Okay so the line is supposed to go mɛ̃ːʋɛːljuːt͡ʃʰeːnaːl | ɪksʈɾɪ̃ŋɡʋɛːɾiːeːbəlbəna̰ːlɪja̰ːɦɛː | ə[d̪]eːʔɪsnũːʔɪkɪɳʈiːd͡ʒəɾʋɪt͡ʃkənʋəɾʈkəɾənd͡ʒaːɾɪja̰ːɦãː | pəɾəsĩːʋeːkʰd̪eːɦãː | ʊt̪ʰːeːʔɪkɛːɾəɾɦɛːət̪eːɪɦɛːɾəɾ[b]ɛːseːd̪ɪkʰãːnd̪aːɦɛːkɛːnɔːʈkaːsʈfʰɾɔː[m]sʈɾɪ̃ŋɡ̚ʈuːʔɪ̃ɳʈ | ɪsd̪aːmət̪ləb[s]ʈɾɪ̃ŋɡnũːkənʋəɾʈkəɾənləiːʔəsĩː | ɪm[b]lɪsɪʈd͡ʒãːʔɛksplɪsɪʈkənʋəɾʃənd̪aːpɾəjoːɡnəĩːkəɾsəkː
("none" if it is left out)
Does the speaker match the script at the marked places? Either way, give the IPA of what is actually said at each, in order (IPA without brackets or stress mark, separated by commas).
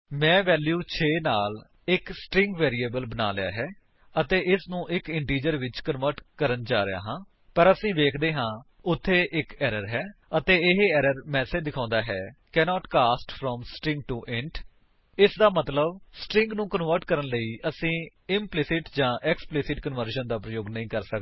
t̪, m, m, s, p